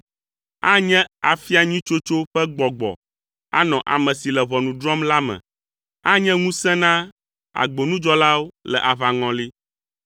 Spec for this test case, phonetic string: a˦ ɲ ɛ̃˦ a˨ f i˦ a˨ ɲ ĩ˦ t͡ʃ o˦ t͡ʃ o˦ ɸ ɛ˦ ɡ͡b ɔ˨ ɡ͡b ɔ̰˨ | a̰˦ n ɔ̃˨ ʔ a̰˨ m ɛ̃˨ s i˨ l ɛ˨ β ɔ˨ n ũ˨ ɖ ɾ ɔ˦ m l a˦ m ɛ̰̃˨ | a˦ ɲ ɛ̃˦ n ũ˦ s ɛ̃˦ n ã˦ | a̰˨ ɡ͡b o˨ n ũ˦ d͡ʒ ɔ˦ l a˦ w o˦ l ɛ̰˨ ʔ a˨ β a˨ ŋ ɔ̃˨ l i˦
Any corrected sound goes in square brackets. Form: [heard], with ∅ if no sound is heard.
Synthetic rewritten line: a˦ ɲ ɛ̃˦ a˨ f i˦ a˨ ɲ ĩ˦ t͡ʃ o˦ t͡ʃ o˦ ɸ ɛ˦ ɡ͡b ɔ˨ ɡ͡b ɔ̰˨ | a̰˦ n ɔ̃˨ ʔ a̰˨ m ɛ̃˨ s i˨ l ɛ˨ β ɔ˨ n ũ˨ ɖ ɾ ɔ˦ m l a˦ m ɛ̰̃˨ | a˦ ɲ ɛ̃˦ [ŋ] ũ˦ s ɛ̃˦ n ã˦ | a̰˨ ɡ͡b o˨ n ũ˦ d͡ʒ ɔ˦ l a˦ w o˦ l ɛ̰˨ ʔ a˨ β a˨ ŋ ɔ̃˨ l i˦